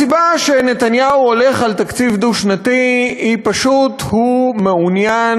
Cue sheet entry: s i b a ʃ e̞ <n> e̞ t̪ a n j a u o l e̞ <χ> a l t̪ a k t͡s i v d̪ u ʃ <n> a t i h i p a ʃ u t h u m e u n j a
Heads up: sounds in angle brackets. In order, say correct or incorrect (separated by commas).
correct, correct, correct